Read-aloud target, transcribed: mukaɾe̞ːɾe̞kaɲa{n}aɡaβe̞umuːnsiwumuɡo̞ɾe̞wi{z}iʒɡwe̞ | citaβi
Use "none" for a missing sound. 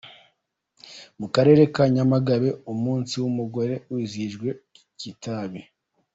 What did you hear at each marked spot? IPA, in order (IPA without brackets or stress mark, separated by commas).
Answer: m, z